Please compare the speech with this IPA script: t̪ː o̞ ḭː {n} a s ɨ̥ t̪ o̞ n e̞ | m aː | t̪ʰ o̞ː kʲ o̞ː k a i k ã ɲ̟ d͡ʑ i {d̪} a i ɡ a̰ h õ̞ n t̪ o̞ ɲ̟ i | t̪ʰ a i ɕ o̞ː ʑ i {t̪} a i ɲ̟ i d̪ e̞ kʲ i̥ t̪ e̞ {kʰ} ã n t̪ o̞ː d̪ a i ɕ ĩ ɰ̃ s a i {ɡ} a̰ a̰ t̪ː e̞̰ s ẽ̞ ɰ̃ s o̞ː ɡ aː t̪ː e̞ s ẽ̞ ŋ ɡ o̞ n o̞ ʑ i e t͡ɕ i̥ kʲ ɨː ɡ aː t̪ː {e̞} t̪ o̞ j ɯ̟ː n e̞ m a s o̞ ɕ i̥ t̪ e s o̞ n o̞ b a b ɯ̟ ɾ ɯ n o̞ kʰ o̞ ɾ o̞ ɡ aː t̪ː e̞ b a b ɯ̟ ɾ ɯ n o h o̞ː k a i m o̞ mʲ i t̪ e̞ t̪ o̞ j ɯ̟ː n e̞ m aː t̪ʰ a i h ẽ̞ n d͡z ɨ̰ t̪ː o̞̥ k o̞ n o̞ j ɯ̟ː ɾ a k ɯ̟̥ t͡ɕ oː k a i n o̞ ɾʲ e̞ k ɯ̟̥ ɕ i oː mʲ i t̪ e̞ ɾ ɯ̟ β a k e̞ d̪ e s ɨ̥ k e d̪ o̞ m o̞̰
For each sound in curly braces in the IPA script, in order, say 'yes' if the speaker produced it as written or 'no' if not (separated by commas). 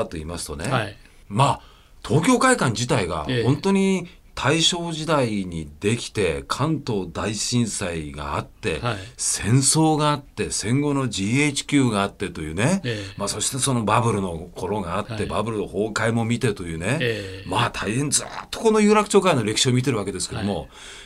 no, no, no, yes, yes, yes